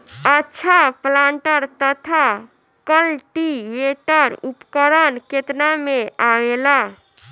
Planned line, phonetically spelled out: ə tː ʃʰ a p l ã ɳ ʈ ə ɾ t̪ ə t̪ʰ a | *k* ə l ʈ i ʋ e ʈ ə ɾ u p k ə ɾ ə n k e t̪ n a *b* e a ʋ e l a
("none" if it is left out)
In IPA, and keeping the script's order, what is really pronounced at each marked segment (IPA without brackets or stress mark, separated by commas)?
k, m